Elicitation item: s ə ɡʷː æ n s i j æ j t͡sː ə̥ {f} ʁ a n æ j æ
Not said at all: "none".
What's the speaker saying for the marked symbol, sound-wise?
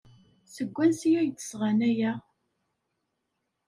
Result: s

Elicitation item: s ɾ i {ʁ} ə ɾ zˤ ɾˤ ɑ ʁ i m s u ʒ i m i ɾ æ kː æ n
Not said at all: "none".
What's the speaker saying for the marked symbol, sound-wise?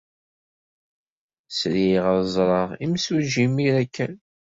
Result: ʁ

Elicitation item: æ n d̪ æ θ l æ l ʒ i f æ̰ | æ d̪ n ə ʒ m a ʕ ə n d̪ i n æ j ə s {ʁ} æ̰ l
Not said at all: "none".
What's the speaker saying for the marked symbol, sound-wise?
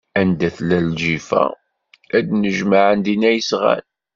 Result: ʁ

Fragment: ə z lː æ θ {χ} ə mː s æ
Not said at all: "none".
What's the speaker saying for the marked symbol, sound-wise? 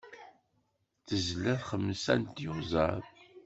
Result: χ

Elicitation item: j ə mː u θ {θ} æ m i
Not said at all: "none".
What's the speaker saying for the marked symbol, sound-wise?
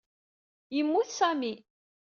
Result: s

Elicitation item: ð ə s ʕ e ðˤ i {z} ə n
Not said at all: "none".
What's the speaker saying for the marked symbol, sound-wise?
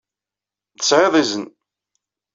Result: z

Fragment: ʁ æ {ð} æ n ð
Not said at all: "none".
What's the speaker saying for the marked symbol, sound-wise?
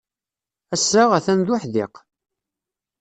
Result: θ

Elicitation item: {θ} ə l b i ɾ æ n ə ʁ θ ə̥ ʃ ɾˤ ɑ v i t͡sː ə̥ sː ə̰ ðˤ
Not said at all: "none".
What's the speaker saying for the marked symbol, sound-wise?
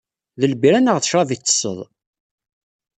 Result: ð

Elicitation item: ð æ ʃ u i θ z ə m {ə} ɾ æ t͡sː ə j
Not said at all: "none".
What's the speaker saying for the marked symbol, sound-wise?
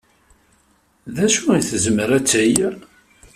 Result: ə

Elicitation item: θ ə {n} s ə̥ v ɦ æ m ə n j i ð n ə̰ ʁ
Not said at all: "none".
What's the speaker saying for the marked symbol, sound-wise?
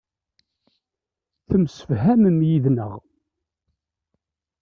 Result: m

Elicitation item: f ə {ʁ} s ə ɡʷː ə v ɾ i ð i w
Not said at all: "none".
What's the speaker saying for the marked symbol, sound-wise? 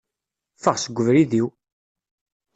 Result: ʁ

